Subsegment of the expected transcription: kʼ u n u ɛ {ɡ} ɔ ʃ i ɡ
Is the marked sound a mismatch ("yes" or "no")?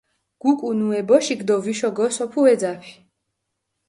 yes